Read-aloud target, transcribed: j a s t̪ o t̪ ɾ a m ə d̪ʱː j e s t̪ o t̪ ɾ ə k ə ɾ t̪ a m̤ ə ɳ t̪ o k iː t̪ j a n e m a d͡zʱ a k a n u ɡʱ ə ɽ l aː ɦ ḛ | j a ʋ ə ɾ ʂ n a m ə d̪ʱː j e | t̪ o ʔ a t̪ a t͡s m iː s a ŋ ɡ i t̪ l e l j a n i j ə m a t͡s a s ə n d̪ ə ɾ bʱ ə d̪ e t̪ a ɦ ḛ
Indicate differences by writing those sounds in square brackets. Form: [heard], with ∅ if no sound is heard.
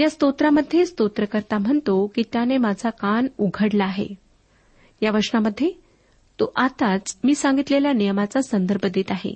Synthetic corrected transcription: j a s t̪ o t̪ ɾ a m ə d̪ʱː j e s t̪ o t̪ ɾ ə k ə ɾ t̪ a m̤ ə ɳ t̪ o k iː t̪ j a n e m a d͡zʱ a k a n u ɡʱ ə ɽ l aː ɦ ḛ | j a ʋ ə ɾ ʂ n a m ə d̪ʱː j e | t̪ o ʔ a t̪ a t͡s m iː s a ŋ ɡ i t̪ l e l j a n i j ə m a t͡s a s ə n d̪ ə ɾ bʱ ə d̪ e t̪ a ɦ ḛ